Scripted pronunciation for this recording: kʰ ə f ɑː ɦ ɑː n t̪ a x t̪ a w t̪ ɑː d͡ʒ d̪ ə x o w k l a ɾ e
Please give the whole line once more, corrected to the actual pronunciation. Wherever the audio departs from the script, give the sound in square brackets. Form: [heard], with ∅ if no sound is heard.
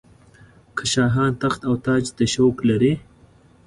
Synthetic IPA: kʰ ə [ʃ] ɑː ɦ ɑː n t̪ a x t̪ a w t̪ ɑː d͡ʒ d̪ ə [ʃ] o w k l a ɾ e